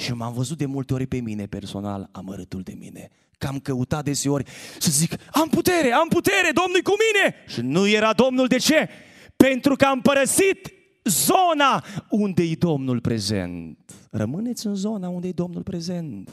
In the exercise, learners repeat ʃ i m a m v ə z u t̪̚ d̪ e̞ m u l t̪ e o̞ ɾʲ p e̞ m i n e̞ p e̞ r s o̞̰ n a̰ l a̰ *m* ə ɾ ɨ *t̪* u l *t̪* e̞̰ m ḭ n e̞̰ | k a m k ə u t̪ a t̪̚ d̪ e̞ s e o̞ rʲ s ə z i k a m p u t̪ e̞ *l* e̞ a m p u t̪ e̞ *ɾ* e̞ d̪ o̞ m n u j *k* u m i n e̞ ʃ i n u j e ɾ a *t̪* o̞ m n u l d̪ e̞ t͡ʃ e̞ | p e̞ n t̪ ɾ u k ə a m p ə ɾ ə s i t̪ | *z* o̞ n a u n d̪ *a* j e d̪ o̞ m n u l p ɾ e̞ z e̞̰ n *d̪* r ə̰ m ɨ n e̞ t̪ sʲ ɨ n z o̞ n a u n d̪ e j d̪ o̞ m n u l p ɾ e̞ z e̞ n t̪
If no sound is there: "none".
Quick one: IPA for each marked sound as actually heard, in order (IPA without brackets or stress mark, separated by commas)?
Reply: m, t̪, d̪, ɾ, ɾ, k, d̪, z, e, t̪